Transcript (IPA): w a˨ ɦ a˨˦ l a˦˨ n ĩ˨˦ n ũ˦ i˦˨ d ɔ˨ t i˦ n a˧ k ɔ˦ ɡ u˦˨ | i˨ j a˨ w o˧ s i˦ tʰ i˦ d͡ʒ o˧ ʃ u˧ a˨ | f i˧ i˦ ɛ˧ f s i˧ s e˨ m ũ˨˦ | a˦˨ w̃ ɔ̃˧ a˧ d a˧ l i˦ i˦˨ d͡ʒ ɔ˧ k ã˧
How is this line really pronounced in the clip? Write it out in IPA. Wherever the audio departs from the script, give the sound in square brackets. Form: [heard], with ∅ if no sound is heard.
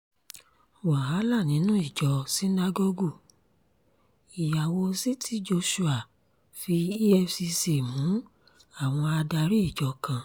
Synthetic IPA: w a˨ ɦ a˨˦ l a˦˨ n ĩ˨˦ n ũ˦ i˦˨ [d͡ʒ] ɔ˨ [s] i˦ n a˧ [ɡ] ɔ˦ ɡ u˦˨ | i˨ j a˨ w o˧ s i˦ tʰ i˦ d͡ʒ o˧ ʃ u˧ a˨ | f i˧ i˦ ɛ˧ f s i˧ s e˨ m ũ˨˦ | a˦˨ w̃ ɔ̃˧ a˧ d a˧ [ɾ] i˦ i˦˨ d͡ʒ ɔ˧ k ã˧